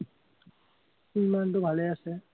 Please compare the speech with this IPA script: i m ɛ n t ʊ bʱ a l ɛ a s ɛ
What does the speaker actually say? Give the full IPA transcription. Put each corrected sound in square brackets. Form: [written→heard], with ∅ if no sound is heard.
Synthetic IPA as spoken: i m [ɛ→a] n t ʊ bʱ a l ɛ a s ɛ

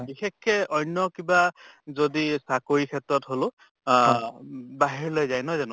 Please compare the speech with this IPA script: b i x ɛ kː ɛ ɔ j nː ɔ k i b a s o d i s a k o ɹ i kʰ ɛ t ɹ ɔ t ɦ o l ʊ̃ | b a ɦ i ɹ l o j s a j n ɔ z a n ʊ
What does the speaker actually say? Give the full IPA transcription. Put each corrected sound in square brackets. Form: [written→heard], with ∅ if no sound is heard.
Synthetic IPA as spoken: b i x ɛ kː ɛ ɔ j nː ɔ k i b a [s→z] o d i s a k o ɹ i kʰ ɛ t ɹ ɔ t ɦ o l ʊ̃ | b a ɦ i ɹ l o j [s→z] a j n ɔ z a n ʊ

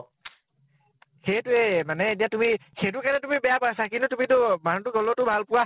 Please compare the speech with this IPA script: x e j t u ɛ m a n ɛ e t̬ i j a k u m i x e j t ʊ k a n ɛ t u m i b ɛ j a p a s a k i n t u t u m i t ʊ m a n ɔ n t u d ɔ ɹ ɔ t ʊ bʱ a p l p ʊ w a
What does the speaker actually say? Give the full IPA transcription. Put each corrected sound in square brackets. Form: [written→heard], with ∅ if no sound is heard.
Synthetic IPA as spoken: x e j t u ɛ m a n ɛ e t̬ i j a [k→t] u m i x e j t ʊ k a n ɛ t u m i b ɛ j a p a s a k i n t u t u m i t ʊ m a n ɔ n t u [d→ɡ] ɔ [ɹ→l] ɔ t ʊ bʱ a [p→∅] l p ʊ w a

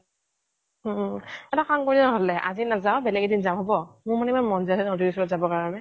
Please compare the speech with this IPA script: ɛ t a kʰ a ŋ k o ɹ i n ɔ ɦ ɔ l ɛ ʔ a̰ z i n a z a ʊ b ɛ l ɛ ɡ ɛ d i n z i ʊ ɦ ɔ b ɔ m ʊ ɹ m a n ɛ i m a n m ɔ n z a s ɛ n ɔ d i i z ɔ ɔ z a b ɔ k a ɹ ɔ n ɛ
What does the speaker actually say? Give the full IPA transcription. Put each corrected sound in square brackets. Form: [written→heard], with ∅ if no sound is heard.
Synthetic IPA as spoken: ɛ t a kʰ a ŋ k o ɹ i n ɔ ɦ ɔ l ɛ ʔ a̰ z i n a z a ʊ b ɛ l ɛ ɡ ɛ d i n z [i→a] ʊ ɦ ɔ b ɔ m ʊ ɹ m a n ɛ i m a n m ɔ n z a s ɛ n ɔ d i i [z→s] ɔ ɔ z a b ɔ k a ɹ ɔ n ɛ

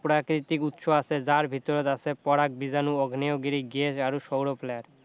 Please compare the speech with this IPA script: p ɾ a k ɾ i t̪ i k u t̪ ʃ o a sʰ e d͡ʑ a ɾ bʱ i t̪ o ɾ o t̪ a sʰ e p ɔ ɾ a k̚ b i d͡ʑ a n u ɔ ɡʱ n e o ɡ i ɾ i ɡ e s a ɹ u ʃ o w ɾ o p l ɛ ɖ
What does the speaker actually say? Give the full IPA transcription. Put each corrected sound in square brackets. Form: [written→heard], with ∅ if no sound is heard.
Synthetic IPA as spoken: p ɾ a k ɾ i t̪ i k u t̪ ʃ o a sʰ e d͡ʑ a ɾ bʱ i t̪ o ɾ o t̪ a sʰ e p ɔ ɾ a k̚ b i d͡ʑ a n u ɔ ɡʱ n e o ɡ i ɾ i ɡ e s a [ɹ→ɾ] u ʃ o w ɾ o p l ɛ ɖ

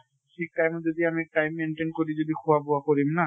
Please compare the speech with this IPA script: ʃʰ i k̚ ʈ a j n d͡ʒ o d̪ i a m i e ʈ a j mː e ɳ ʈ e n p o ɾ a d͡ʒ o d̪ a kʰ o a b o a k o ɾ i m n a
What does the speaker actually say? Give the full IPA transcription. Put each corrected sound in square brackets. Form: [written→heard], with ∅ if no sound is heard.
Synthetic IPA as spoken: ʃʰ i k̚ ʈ a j [n→m] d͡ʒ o d̪ i a m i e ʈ a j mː e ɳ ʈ e n [p→k] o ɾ [a→i] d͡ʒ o d̪ [a→i] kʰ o a b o a k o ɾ i m n a

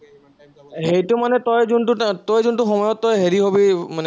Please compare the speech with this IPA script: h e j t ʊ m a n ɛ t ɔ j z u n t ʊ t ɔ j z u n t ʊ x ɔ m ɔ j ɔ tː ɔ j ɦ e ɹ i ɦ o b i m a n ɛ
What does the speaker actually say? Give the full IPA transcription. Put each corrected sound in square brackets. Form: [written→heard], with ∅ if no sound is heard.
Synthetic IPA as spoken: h e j t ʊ m a n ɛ t ɔ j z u n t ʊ t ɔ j z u n t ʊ x ɔ m ɔ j ɔ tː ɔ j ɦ e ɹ i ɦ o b i m a n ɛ

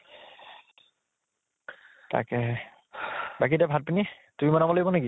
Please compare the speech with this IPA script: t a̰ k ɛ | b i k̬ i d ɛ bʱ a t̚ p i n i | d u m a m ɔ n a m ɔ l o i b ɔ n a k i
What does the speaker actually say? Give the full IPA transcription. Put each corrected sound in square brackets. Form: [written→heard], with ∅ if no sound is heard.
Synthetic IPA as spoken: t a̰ k ɛ | b [i→a] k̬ i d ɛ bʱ a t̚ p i n i | [d→t] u m [a→i] m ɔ n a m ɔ l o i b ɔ n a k i

